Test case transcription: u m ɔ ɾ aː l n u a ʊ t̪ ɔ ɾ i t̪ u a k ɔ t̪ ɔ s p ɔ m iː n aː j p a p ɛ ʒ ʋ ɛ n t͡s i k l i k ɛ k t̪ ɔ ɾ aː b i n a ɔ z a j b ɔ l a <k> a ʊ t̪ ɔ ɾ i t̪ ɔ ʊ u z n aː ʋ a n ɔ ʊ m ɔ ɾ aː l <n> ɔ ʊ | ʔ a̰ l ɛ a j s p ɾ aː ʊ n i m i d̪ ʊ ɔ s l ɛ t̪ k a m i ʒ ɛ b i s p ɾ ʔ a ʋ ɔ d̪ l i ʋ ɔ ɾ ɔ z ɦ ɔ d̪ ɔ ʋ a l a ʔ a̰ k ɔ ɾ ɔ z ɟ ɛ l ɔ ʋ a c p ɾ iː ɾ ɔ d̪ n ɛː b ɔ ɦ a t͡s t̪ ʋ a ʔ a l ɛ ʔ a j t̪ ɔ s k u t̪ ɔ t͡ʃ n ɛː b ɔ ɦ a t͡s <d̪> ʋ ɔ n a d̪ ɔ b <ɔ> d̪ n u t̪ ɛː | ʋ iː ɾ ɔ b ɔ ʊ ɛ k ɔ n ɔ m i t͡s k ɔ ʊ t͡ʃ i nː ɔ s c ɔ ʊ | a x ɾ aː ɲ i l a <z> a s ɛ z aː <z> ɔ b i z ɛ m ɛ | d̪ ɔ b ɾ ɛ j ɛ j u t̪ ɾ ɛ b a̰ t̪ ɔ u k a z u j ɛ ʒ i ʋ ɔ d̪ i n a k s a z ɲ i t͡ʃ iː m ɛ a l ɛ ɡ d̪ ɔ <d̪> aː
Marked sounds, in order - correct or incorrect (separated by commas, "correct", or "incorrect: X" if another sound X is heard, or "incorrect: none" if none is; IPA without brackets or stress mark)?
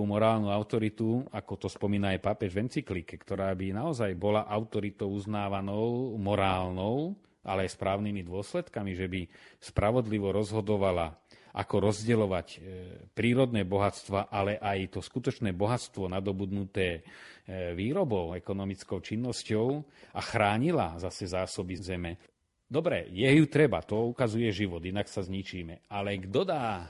incorrect: ʔ, correct, incorrect: t̪, incorrect: u, correct, incorrect: s, correct